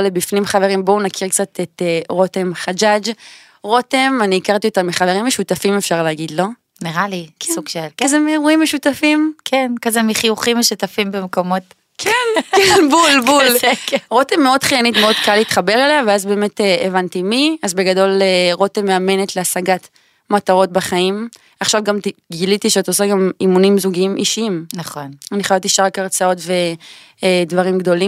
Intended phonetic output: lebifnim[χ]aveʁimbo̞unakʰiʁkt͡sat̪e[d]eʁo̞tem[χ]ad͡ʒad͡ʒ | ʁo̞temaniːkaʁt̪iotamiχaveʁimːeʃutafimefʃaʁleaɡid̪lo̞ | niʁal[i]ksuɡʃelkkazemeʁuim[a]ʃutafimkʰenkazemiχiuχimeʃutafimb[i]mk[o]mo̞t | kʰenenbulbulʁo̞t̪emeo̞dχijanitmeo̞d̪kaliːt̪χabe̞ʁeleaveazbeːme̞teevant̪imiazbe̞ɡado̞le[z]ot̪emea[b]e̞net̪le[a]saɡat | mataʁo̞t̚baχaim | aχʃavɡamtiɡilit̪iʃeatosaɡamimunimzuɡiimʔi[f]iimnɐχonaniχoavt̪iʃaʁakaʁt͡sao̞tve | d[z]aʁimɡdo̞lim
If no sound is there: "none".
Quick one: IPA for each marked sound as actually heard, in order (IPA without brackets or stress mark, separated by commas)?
χ, t, χ, i, e, e, o, ʁ, m, a, ʃ, v